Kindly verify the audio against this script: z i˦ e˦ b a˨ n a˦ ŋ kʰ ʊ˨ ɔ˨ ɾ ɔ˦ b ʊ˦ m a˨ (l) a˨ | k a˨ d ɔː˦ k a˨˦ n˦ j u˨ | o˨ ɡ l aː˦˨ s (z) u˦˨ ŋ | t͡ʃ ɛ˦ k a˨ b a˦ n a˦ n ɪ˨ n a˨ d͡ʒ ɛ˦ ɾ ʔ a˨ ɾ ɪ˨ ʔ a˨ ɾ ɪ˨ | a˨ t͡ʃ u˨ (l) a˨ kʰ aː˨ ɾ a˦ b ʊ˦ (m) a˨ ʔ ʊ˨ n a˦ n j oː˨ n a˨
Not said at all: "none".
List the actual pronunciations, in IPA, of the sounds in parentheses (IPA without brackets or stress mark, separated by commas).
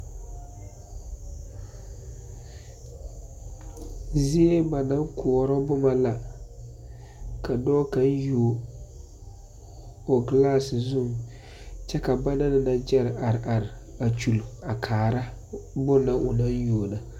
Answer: l, z, l, n